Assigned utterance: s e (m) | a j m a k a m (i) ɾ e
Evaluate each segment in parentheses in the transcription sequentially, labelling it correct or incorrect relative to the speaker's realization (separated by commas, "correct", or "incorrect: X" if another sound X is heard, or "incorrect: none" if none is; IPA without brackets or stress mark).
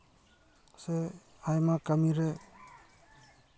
incorrect: none, correct